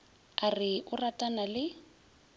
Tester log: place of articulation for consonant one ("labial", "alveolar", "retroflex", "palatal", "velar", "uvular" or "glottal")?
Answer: alveolar